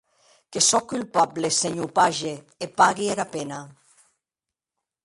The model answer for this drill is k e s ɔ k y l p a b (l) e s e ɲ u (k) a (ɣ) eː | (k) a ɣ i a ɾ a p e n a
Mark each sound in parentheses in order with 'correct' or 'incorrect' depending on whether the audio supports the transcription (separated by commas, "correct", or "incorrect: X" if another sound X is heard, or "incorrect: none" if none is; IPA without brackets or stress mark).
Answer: correct, incorrect: p, incorrect: ʒ, incorrect: p